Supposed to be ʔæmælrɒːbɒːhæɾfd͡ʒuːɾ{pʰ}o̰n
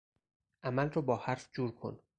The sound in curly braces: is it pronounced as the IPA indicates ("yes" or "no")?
no